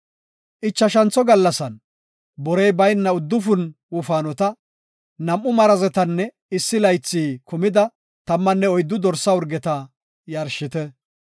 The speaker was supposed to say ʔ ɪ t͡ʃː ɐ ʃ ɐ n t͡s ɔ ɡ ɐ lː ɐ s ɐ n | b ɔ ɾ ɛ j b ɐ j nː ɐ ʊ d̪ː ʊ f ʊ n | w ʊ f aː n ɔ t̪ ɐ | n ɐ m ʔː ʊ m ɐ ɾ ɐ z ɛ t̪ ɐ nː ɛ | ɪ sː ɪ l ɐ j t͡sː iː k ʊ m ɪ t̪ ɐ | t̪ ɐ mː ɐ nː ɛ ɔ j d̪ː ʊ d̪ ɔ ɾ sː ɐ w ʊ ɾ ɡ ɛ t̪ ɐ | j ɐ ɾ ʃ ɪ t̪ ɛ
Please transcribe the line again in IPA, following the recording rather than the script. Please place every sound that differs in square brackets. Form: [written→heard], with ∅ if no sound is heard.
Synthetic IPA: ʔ ɪ t͡ʃː ɐ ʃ ɐ n t͡s ɔ ɡ ɐ lː ɐ s ɐ n | b ɔ ɾ ɛ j b ɐ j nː ɐ ʊ d̪ː ʊ f ʊ n | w ʊ f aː n ɔ t̪ ɐ | n ɐ m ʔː ʊ m ɐ ɾ ɐ z ɛ t̪ ɐ nː ɛ | ɪ sː ɪ l ɐ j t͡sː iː k ʊ m ɪ [t̪→d̪] ɐ | t̪ ɐ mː ɐ nː ɛ ɔ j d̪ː ʊ d̪ ɔ ɾ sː ɐ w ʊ ɾ ɡ ɛ t̪ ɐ | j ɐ ɾ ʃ ɪ t̪ ɛ